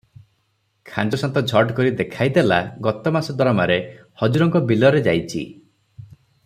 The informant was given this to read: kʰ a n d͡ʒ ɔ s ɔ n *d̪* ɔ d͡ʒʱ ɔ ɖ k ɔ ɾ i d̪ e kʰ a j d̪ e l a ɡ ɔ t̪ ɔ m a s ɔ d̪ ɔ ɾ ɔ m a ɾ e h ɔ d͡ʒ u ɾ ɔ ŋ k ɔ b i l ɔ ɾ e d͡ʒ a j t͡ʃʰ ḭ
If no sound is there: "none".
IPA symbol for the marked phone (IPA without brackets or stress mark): t̪